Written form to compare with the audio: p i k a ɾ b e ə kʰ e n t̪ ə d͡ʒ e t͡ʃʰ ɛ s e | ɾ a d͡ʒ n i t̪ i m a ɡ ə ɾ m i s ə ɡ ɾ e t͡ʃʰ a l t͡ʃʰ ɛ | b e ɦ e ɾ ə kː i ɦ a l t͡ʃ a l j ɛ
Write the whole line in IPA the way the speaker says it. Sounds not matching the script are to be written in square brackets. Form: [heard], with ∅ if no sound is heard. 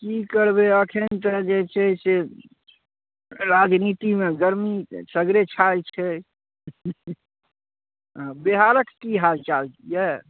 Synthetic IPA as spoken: [k] i k [ə] ɾ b e ə kʰ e n t̪ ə d͡ʒ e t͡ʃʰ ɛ s e | ɾ a d͡ʒ n i t̪ i m [e] ɡ ə ɾ m i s ə ɡ ɾ e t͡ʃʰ a l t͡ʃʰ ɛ | b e ɦ [a] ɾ ə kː i ɦ a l t͡ʃ a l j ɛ